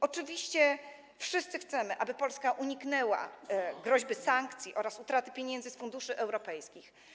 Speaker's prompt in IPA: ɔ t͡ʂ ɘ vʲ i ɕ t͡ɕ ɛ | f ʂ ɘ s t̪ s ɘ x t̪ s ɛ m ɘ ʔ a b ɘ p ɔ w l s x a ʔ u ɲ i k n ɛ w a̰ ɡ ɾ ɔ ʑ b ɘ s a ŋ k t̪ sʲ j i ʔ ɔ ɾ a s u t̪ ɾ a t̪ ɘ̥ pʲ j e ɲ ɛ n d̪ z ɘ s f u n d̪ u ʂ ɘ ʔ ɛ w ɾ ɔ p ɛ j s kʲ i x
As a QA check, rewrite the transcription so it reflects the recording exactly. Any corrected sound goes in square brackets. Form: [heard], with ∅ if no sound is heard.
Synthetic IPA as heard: ɔ t͡ʂ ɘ vʲ i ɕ t͡ɕ ɛ | f ʂ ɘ s t̪ s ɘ x t̪ s ɛ m ɘ ʔ a b ɘ p ɔ [∅] l s [k] a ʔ u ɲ i k n ɛ w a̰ ɡ ɾ ɔ ʑ b ɘ s a ŋ k t̪ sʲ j i ʔ ɔ ɾ a s u t̪ ɾ a t̪ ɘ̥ pʲ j e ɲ ɛ n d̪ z ɘ s f u n d̪ u ʂ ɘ ʔ ɛ w ɾ ɔ p ɛ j s kʲ i x